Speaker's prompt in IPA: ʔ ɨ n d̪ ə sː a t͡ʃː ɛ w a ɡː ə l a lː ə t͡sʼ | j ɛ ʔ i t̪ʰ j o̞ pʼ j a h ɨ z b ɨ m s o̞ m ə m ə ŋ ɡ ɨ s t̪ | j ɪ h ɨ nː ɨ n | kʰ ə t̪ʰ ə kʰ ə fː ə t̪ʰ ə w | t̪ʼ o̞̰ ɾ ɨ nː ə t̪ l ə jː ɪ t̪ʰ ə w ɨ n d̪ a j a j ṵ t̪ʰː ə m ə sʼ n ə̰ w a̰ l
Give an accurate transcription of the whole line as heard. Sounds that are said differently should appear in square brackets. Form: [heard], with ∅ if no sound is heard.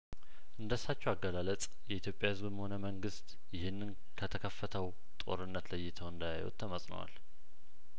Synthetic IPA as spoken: ʔ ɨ n d̪ ə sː a t͡ʃː ɛ w a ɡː ə l a [l] ə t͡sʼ | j ɛ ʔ i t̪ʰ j o̞ pʼ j a h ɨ z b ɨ m [h] o̞ [n] ə m ə ŋ ɡ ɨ s t̪ | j ɪ h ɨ nː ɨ n | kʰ ə t̪ʰ ə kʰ ə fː ə t̪ʰ ə w | t̪ʼ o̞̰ ɾ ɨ nː ə t̪ l ə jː ɪ t̪ʰ ə w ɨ n d̪ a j a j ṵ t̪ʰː ə m ə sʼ n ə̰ w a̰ l